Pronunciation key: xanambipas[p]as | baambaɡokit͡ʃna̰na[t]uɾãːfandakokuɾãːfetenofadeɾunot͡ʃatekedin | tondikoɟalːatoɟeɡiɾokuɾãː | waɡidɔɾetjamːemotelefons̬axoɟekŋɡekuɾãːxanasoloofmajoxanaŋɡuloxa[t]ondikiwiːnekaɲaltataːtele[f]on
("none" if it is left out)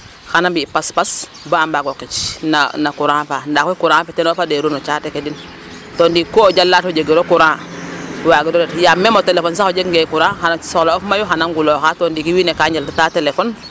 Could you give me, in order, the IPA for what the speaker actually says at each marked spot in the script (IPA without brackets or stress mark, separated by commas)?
p, k, t, f